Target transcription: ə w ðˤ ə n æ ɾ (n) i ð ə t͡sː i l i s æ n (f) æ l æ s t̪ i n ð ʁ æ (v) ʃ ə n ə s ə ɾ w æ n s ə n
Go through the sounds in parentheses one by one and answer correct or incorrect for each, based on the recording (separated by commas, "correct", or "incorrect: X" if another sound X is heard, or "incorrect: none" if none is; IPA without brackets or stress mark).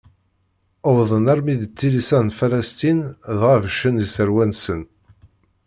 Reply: incorrect: m, correct, correct